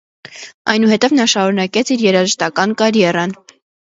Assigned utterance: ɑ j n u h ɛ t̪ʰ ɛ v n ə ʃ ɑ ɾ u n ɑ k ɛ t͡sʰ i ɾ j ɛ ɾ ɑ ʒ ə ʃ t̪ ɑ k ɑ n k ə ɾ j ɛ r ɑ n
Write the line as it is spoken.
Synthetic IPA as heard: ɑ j n u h ɛ t̪ ɛ v n ɑ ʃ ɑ ɾ u n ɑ k ɛ t͡sʰ i ɾ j ɛ ɾ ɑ ʒ ə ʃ t̪ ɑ k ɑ n k ɑ ɾ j ɛ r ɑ n